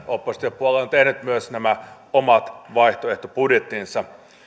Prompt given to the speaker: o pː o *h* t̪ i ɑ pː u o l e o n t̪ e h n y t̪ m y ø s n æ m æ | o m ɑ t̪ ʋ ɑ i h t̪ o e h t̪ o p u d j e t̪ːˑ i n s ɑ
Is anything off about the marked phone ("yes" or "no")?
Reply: yes